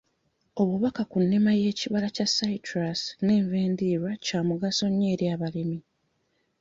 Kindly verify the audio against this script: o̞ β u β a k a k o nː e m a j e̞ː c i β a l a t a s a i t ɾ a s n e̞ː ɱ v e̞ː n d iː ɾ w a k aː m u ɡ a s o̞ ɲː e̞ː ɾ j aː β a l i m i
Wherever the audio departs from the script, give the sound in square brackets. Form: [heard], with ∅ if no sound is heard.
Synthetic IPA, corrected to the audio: o̞ β u β a k a k [u] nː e m a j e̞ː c i β a l a [c] a s a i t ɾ a s n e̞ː ɱ v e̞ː n d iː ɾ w a [c] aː m u ɡ a s o̞ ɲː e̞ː ɾ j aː β a l i m i